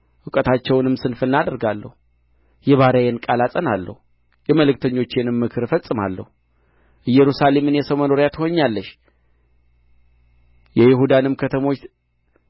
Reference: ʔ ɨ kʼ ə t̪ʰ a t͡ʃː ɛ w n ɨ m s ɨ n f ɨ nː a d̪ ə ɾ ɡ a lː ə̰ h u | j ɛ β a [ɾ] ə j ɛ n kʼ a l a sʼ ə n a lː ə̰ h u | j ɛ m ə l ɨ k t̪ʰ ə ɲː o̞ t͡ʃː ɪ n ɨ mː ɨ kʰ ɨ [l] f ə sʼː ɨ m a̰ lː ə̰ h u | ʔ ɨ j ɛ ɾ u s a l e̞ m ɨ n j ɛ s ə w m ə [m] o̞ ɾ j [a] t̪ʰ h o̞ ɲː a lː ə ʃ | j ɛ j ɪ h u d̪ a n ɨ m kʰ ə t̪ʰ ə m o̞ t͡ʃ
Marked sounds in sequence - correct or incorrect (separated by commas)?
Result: correct, incorrect, incorrect, correct